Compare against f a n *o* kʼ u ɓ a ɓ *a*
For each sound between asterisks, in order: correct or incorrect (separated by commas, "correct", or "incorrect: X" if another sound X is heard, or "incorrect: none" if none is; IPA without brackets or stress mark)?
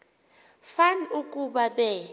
incorrect: u, incorrect: ɛ